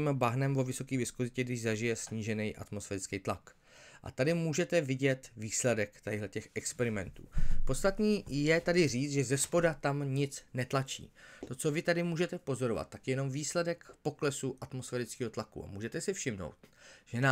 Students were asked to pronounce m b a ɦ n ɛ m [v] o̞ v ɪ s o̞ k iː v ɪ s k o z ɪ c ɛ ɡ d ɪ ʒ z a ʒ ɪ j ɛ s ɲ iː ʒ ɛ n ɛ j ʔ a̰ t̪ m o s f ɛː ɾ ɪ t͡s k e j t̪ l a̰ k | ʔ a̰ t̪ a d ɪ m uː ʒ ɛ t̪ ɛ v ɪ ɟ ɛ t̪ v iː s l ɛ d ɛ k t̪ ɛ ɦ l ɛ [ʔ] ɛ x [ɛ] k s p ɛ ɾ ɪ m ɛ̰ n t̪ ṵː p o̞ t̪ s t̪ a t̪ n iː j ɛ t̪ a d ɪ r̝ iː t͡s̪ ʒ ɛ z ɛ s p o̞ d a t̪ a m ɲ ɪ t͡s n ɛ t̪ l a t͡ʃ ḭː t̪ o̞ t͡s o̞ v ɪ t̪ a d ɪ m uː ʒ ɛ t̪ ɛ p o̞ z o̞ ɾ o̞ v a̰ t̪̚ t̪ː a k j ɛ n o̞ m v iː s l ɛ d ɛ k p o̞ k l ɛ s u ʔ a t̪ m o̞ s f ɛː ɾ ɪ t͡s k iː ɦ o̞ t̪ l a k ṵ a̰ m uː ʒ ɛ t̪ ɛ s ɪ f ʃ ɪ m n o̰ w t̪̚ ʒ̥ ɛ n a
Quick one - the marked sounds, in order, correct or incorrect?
correct, incorrect, correct

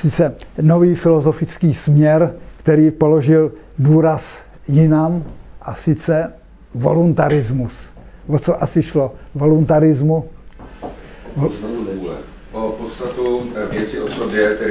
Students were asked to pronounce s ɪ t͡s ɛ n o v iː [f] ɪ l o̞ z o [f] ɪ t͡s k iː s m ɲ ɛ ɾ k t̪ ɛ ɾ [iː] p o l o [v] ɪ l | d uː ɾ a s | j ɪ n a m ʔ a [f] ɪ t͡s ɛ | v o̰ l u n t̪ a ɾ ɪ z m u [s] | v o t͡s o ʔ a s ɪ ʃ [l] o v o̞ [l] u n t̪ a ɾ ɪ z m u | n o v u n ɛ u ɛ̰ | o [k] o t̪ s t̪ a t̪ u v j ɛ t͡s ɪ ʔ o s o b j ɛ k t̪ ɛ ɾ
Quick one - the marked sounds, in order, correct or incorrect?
correct, correct, correct, incorrect, incorrect, correct, correct, correct, incorrect

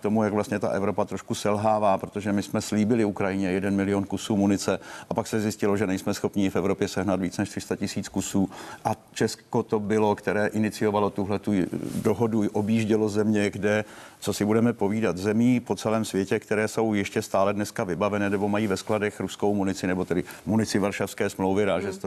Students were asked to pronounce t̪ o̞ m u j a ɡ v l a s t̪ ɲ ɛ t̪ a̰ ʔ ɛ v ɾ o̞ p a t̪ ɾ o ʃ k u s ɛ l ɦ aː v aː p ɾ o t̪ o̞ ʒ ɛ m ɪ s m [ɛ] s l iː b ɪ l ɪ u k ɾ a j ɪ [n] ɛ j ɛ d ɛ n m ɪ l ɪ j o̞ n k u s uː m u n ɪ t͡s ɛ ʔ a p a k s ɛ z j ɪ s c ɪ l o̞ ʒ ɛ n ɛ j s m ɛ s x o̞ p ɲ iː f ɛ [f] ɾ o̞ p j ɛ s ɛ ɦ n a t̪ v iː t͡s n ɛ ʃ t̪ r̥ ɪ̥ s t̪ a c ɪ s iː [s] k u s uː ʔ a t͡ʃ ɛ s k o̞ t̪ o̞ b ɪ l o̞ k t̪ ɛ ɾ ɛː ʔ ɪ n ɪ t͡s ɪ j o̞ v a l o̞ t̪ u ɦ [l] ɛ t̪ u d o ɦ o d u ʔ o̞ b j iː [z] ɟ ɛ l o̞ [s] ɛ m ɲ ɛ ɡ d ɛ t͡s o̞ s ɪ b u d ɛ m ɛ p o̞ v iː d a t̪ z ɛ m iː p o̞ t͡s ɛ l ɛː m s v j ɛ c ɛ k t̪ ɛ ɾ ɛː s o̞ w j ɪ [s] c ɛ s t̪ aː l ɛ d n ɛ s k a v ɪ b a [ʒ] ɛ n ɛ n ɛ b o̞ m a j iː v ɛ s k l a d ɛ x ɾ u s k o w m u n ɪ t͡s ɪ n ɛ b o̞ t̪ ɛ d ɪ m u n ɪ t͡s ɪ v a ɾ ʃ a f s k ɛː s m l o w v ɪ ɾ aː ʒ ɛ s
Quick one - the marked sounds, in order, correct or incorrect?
correct, incorrect, incorrect, incorrect, correct, incorrect, incorrect, incorrect, incorrect

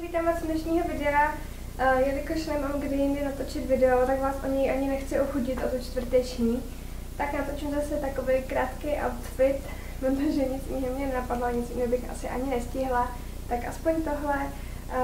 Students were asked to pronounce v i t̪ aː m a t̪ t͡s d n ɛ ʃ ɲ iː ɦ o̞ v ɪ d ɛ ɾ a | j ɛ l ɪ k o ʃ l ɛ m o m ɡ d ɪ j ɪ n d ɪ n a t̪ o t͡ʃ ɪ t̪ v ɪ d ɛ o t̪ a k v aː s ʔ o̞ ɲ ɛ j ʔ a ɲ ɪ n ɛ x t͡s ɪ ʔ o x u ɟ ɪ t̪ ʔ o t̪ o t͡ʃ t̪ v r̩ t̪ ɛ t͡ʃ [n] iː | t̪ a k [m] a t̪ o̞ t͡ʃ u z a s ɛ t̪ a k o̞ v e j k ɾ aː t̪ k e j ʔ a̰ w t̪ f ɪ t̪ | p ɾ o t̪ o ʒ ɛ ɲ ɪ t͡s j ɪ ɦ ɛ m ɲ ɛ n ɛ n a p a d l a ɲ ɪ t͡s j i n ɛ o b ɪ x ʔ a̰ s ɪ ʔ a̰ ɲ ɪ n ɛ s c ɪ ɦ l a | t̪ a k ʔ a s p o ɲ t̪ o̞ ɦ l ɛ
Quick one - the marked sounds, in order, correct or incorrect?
incorrect, incorrect

